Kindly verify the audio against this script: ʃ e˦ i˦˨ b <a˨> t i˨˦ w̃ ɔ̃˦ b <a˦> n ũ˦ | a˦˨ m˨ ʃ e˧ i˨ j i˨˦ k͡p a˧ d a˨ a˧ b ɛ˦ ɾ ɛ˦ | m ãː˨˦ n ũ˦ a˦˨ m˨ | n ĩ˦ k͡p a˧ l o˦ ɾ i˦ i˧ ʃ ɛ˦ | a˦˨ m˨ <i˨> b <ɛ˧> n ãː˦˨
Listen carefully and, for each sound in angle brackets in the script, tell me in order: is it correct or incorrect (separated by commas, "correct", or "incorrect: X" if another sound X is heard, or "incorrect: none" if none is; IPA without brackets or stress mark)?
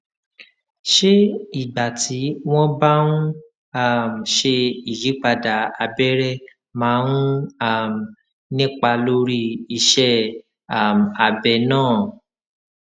correct, correct, incorrect: a˨, correct